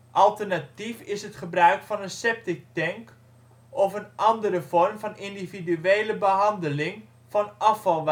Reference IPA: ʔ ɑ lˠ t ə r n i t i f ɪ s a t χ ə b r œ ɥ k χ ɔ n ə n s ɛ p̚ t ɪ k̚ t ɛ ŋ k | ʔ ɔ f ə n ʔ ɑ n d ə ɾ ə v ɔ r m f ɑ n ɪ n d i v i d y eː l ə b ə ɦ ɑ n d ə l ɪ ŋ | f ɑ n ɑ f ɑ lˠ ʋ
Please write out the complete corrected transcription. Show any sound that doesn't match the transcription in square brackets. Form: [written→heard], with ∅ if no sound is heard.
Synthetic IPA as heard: ʔ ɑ lˠ t ə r n [i→a] t i f ɪ s [a→ə] t χ ə b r œ ɥ k [χ→f] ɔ n ə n s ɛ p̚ t ɪ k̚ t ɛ ŋ k | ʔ ɔ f ə n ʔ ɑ n d ə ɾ ə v ɔ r m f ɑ n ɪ n d i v i d y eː l ə b ə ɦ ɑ n d ə l ɪ ŋ | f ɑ n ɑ f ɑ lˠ ʋ